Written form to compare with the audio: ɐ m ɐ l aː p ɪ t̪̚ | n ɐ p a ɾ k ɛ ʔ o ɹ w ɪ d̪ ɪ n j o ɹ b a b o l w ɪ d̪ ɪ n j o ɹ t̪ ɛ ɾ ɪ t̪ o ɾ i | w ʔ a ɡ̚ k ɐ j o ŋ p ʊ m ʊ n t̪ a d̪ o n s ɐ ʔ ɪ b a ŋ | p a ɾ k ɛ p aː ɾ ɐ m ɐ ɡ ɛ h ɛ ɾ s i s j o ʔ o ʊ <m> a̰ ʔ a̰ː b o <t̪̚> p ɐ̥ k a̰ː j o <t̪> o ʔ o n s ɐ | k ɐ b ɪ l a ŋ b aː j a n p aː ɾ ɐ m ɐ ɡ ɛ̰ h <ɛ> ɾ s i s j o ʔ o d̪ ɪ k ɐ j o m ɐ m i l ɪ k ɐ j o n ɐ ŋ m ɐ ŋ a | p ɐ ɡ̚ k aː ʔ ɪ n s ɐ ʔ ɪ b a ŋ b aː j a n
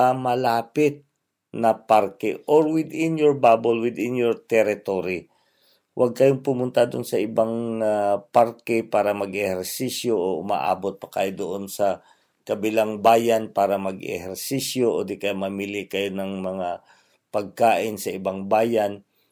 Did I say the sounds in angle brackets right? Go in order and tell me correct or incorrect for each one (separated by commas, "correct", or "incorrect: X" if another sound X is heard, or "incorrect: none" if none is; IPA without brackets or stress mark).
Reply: correct, correct, incorrect: d̪, correct